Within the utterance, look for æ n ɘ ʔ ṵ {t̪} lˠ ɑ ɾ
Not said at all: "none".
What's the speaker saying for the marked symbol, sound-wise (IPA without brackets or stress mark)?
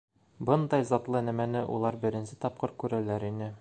none